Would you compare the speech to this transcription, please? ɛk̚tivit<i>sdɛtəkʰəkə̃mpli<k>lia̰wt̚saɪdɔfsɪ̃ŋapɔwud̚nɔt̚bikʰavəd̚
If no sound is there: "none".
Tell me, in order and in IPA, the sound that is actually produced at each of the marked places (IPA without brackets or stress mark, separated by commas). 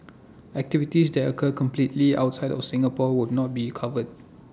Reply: i, t